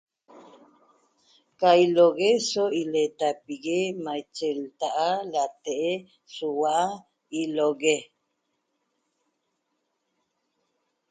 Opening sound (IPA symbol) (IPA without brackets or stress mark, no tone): k